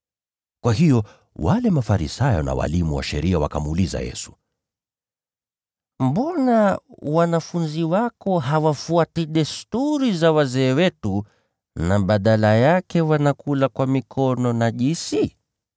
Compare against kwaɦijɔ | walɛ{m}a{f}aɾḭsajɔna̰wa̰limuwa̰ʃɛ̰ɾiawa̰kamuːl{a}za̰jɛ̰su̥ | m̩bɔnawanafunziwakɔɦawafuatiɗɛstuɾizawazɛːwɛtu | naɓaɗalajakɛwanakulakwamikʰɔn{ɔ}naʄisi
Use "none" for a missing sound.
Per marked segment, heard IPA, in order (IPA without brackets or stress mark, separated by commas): m, f, i, ɔ